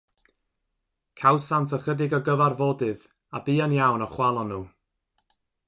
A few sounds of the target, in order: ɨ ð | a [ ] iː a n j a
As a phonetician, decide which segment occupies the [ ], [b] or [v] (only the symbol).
b